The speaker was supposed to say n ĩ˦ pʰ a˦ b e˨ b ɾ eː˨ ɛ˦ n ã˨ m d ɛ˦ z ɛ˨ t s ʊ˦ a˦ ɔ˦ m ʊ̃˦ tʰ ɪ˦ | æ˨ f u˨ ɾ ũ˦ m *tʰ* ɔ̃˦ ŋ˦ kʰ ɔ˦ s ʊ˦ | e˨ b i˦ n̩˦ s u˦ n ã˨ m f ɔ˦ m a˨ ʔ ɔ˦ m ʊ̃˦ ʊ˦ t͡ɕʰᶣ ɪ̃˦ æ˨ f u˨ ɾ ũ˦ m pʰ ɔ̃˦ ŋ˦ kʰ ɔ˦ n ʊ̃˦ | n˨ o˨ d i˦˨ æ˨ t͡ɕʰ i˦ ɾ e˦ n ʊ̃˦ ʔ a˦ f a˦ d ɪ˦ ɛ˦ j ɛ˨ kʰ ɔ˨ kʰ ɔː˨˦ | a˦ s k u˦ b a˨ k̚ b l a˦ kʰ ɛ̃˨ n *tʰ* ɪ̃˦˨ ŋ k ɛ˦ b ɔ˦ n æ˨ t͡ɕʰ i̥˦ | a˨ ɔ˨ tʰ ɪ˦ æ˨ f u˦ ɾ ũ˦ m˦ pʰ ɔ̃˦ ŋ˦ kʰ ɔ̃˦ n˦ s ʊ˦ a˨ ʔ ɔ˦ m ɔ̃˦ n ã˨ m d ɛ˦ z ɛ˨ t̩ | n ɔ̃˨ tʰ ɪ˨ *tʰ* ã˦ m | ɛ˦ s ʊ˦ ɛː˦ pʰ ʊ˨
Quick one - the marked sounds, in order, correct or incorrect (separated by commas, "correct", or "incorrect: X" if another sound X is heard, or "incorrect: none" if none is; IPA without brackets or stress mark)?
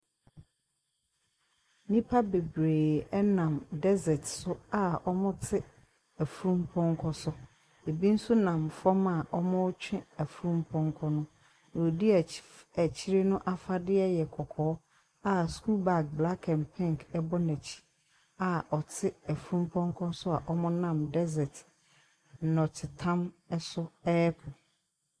incorrect: pʰ, incorrect: pʰ, correct